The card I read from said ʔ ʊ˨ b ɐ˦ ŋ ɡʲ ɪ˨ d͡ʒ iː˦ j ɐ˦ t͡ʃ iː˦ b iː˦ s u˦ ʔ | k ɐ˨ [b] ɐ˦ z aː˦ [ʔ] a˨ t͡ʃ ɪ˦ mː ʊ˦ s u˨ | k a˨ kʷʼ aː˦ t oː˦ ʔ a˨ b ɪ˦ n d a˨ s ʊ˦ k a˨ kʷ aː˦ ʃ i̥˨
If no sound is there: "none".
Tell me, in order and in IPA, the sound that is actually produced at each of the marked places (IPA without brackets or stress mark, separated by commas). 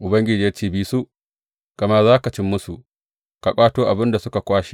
m, k